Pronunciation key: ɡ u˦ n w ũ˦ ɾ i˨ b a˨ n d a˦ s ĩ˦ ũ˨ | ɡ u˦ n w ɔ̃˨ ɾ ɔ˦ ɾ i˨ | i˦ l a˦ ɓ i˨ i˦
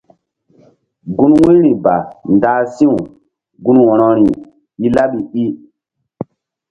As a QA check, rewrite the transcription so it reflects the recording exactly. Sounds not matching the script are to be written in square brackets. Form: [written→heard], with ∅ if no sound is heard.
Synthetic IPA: ɡ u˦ n w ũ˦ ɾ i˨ b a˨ n d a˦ s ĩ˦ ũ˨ | ɡ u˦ n w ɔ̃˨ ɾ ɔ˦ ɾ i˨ | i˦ l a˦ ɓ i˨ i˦